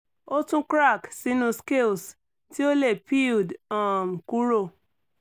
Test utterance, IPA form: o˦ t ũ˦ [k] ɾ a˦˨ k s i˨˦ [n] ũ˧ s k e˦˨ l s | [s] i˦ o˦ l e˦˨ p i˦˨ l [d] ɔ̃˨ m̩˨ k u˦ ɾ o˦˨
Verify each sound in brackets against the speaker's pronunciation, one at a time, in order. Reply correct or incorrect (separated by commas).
correct, correct, incorrect, correct